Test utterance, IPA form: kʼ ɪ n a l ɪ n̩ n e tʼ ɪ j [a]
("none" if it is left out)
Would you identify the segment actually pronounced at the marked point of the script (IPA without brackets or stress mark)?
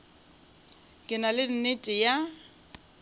a